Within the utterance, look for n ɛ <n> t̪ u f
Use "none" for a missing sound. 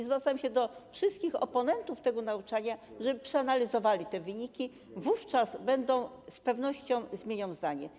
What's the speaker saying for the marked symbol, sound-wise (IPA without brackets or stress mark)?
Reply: n